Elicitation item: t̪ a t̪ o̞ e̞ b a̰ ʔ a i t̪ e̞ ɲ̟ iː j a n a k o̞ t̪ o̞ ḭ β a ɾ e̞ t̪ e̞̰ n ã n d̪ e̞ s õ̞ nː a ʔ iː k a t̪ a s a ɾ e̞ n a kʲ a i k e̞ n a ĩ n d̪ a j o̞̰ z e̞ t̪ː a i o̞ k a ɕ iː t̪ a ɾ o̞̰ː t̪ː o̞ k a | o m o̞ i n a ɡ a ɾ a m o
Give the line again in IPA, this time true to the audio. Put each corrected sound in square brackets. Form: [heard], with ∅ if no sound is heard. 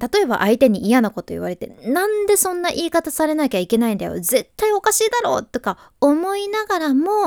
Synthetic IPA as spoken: t̪ a t̪ o̞ e̞ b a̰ ʔ a i t̪ e̞ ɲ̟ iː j a n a k o̞ t̪ o̞ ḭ β a ɾ e̞ t̪ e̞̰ n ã n d̪ e̞ s õ̞ nː a ʔ iː k a t̪ a s a ɾ e̞ n a kʲ a i k e̞ n a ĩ n d̪ a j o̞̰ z e̞ t̪ː a i o̞ k a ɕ iː [d̪] a ɾ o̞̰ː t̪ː o̞ k a | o m o̞ i n a ɡ a ɾ a m o